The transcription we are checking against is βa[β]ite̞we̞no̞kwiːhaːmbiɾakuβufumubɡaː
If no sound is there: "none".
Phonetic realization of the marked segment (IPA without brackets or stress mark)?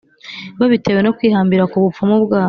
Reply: β